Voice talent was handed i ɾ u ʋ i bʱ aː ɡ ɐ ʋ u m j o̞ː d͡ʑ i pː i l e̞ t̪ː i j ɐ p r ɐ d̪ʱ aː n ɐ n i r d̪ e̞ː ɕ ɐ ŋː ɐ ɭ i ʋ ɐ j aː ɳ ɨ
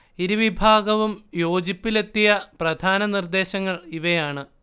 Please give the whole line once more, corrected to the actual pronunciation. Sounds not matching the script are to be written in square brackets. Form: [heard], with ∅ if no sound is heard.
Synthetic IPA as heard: i ɾ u ʋ i bʱ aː ɡ ɐ ʋ u m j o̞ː d͡ʑ i pː i l e̞ t̪ː i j ɐ p r ɐ d̪ʱ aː n ɐ n i r d̪ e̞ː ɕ ɐ ŋː ɐ ɭ i ʋ ɐ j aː ɳ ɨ